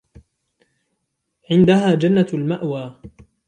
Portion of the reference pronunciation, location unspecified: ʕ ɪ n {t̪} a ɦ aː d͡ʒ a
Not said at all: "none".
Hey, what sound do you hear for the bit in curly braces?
d̪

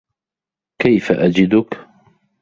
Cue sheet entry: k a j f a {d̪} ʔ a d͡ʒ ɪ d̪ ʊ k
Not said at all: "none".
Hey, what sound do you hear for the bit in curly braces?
none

